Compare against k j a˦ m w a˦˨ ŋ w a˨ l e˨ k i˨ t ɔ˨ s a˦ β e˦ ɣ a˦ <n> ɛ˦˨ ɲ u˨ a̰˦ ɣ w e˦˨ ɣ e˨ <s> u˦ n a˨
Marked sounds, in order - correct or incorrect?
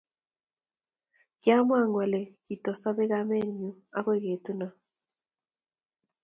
incorrect, incorrect

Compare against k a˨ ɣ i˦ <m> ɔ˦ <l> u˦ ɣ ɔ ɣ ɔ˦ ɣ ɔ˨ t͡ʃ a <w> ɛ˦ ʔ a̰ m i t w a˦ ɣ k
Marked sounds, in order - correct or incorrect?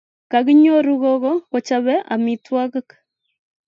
incorrect, incorrect, incorrect

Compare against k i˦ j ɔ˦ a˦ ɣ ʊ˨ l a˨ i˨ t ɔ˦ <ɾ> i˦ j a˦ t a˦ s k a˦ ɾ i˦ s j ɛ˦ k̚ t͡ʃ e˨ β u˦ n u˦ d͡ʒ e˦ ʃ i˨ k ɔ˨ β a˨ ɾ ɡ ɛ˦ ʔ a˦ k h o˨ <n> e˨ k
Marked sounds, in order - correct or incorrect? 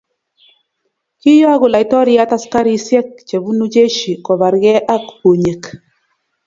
correct, incorrect

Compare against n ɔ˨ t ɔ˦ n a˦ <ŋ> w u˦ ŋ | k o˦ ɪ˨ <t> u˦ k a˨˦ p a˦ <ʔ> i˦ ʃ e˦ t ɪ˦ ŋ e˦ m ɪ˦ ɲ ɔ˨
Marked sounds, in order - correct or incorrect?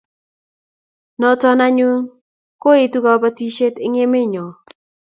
incorrect, correct, incorrect

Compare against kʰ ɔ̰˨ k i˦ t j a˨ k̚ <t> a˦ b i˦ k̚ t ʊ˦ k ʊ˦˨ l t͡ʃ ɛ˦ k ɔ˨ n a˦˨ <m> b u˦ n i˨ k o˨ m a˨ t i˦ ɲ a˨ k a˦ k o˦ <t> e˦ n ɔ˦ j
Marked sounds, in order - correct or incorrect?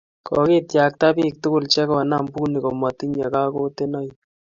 correct, correct, correct

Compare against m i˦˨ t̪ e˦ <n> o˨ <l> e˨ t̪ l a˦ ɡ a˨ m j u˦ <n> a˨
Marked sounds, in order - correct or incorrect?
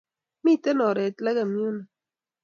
correct, incorrect, correct

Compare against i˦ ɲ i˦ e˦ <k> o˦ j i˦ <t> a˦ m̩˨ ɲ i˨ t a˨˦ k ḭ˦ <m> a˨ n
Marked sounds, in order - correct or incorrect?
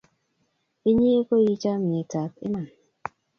correct, incorrect, correct

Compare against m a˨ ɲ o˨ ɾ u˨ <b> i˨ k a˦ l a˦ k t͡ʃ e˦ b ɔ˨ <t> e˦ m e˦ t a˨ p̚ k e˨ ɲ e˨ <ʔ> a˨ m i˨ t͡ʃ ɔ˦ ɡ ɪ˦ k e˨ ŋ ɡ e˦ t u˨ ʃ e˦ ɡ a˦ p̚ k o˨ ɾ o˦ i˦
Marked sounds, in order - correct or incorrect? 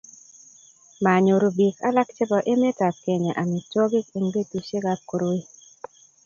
correct, incorrect, correct

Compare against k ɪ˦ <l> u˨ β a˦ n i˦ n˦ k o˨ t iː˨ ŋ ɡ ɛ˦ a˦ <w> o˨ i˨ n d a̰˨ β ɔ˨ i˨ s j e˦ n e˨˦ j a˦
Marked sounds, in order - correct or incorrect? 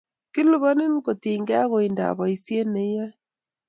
correct, incorrect

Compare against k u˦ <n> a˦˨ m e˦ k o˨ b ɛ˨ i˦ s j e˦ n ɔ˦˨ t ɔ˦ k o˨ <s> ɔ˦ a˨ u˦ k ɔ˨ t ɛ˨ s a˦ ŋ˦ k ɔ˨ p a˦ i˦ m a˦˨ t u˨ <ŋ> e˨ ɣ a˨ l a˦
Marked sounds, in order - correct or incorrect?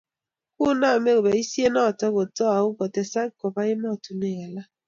correct, incorrect, incorrect

